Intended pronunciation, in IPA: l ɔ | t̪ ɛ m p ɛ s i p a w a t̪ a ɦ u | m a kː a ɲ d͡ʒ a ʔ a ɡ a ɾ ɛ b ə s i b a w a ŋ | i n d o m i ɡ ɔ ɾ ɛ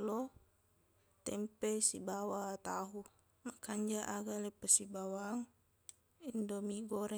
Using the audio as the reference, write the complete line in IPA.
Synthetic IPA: l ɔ | t̪ ɛ m p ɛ s i b a w a t̪ a ɦ u | m a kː a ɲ d͡ʒ a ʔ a ɡ a l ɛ p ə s i b a w a ŋ | i n d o m i ɡ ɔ ɾ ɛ